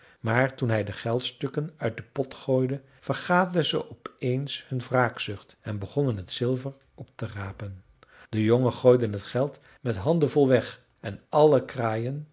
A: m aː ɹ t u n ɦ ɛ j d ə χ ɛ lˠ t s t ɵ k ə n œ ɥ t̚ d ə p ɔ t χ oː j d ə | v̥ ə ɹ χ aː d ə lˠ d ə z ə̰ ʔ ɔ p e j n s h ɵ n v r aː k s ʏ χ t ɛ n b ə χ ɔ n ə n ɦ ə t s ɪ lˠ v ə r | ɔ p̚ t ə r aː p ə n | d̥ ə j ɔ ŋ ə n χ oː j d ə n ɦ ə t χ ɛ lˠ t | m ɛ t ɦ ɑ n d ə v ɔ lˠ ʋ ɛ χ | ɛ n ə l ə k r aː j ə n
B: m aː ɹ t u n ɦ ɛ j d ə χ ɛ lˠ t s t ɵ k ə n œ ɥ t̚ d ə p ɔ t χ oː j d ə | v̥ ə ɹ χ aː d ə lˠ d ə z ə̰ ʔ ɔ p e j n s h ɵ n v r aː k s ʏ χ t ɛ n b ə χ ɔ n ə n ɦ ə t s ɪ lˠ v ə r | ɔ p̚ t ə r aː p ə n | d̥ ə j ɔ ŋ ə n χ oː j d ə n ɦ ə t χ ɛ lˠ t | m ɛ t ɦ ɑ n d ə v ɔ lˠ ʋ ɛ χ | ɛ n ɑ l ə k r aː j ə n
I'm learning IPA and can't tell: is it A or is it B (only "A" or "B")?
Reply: B